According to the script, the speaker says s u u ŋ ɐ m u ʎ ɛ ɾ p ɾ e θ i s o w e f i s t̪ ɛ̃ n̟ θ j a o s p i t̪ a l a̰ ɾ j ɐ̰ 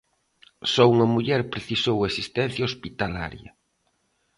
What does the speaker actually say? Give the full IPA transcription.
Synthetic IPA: s ɔ u ŋ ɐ m u ʎ ɛ ɾ p ɾ e θ i s o w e s i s t̪ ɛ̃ n̟ θ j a o s p i t̪ a l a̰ ɾ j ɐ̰